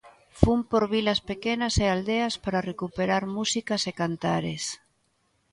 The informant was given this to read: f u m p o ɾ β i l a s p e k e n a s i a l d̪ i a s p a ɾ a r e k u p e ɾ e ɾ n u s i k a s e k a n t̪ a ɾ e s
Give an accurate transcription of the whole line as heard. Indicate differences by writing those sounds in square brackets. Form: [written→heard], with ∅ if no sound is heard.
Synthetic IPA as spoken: f u m p o ɾ β i l a s p e k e n a s [i→e] a l d̪ [i→e] a s p a ɾ a r e k u p e ɾ [e→a] ɾ [n→m] u s i k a s e k a n t̪ a ɾ e s